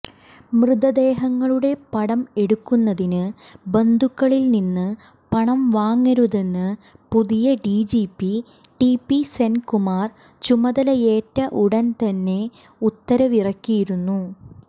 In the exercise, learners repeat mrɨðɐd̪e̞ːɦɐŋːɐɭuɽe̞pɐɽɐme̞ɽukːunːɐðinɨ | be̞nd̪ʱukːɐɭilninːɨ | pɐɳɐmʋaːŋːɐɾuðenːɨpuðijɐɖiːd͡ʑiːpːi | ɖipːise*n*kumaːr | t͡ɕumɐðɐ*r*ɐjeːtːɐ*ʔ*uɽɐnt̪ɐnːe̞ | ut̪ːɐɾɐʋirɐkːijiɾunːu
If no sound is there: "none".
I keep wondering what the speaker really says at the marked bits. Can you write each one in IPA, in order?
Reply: n, l, ʔ

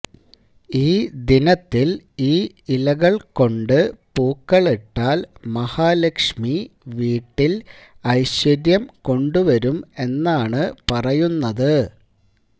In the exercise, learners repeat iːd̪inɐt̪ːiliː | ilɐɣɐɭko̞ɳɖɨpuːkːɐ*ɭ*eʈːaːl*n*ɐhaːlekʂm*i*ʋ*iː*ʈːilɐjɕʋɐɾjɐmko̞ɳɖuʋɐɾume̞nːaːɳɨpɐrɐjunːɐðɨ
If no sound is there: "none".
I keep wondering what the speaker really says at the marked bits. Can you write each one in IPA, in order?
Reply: ɭ, m, i, iː

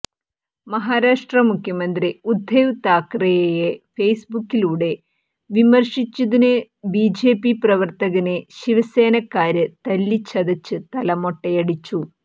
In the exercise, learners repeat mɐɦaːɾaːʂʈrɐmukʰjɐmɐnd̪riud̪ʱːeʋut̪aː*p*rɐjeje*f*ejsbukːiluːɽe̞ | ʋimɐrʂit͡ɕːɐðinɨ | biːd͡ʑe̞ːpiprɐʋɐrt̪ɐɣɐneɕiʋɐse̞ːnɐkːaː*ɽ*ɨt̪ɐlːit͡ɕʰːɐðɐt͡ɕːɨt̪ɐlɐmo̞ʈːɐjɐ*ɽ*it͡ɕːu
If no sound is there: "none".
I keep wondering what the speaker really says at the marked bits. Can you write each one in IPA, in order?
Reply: k, f, ɾ, ɽ

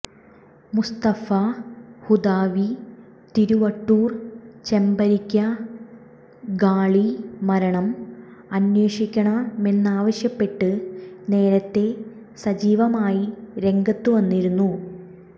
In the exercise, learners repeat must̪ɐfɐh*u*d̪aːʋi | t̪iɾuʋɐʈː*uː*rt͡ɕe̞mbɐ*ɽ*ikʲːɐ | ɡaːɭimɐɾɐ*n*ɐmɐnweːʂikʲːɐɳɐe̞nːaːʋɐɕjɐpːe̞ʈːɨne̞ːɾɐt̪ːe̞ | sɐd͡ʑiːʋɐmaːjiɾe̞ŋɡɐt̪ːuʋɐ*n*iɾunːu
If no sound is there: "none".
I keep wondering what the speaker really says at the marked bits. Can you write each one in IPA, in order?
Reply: u, uː, ɾ, ɳ, nː

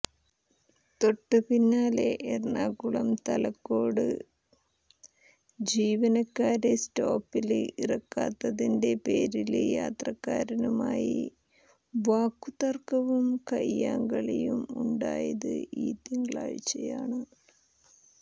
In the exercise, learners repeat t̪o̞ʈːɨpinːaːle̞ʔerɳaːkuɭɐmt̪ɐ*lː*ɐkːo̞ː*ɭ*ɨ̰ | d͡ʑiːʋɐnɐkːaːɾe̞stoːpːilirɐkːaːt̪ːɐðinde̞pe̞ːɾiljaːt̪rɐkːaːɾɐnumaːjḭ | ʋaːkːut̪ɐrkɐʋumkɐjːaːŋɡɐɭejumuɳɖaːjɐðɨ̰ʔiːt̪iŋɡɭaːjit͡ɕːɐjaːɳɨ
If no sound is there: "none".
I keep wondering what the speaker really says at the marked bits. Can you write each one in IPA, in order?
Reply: l, ɽ

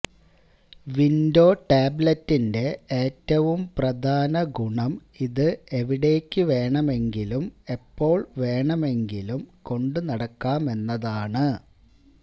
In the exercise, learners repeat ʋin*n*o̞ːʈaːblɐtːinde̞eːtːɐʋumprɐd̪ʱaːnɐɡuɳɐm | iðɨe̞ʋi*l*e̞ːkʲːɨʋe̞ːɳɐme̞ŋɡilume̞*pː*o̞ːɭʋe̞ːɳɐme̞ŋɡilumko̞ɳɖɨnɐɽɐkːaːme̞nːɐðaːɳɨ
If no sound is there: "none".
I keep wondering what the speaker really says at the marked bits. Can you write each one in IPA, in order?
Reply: d, ɽ, pː

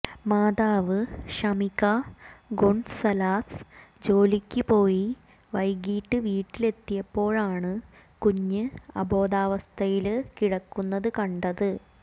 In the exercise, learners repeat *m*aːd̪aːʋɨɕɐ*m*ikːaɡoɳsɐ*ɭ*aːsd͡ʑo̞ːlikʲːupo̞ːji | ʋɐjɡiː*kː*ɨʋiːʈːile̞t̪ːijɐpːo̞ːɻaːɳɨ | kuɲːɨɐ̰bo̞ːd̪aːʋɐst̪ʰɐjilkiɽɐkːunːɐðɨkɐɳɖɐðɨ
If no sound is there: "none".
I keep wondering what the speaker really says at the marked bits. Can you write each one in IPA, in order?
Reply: m, m, l, ʈː

